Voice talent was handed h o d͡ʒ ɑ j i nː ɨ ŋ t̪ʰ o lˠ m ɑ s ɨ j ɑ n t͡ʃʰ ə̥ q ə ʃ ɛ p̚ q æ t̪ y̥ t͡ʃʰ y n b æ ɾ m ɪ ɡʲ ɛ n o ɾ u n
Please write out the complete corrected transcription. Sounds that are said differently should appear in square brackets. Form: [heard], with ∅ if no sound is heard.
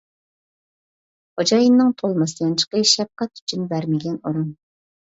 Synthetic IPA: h o d͡ʒ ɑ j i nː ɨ ŋ t̪ʰ o lˠ m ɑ s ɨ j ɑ n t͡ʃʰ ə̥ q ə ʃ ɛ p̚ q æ t̪ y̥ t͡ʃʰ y n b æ ɾ m ɪ ɡʲ ɛ n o ɾ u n